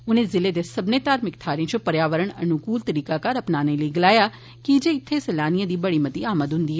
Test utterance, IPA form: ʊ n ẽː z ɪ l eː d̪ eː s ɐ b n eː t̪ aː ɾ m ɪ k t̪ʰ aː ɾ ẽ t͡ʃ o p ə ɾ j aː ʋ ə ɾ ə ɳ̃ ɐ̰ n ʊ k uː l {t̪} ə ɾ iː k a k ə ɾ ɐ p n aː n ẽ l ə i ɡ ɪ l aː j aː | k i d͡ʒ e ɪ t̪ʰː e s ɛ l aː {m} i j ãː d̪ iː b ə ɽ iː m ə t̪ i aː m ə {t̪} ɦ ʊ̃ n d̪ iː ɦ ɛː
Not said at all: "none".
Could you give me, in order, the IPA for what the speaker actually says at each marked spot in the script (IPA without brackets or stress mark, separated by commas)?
t̪, n, d̪